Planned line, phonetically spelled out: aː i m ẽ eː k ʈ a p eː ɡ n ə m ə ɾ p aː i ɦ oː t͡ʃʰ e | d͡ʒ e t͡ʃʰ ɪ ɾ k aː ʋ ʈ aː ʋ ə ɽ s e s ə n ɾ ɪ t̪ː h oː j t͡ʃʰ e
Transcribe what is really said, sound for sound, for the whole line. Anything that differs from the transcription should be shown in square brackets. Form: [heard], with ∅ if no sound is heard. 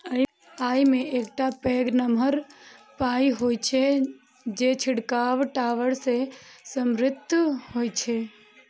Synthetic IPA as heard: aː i m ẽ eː k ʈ a p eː ɡ n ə m ə ɾ p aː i ɦ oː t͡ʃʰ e | d͡ʒ e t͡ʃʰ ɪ [ɽ] k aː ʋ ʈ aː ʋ ə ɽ s e s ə [m] ɾ ɪ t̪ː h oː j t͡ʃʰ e